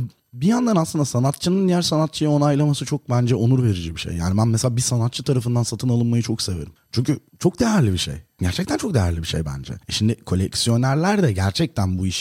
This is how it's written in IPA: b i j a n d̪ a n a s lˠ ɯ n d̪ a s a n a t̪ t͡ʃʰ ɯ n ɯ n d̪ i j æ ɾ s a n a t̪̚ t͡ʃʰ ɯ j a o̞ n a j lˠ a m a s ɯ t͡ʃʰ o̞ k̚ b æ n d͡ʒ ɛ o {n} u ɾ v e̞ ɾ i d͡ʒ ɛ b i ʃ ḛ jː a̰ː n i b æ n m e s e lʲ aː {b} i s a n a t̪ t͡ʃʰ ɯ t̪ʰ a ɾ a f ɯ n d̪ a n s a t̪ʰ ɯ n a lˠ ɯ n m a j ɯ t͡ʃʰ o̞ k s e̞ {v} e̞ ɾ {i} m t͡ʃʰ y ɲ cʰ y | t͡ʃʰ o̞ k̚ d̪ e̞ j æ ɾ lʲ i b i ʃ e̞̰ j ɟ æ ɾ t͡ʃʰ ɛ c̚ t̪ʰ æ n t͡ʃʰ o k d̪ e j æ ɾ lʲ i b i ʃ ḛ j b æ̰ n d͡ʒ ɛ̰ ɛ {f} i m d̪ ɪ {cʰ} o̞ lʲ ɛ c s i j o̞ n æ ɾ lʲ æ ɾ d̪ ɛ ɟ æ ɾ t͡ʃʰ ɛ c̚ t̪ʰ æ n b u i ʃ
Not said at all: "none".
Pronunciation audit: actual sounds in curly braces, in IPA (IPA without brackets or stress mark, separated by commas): n, b, v, i, ʃ, kʰ